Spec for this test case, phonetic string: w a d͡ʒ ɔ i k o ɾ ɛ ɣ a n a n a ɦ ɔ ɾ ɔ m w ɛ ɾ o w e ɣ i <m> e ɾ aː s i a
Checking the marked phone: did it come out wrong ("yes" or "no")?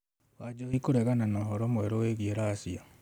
yes